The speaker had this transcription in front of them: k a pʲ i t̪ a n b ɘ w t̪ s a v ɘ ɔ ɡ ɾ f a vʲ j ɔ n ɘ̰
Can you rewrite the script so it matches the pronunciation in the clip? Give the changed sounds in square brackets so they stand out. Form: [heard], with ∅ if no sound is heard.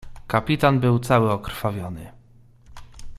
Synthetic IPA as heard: k a pʲ i t̪ a n b ɘ w t̪ s a [w] ɘ ɔ [k] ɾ f a vʲ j ɔ n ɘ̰